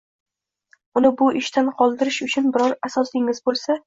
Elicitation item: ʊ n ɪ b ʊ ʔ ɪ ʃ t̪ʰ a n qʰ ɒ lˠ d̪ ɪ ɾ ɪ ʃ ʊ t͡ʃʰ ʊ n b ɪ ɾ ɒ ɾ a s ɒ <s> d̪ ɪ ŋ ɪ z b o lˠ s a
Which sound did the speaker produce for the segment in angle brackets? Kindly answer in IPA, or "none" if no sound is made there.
s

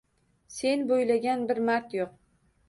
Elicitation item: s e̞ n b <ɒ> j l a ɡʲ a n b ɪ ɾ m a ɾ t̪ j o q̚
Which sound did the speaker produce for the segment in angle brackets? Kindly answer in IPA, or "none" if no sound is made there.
o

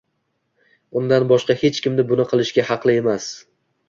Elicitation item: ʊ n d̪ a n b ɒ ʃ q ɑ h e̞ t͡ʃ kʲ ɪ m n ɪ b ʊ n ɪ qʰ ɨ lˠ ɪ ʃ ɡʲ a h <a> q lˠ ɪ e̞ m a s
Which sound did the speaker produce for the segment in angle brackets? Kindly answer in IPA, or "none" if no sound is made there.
ɑ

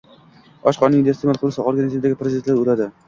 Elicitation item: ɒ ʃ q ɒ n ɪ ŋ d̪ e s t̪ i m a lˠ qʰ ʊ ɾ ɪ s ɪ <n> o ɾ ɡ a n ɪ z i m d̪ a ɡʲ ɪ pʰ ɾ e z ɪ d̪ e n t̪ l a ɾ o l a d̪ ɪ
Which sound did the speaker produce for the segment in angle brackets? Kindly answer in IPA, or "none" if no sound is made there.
none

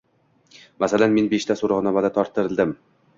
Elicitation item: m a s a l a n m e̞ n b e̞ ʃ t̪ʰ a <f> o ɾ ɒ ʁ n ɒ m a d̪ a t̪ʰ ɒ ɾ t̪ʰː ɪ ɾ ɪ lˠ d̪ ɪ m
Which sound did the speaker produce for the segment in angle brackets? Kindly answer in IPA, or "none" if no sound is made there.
s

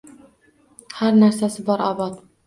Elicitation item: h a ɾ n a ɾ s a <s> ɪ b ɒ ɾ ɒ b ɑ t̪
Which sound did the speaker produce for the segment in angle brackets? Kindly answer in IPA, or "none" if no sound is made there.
s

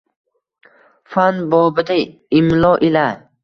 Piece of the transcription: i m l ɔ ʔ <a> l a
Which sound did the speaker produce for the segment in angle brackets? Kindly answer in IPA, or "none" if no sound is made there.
i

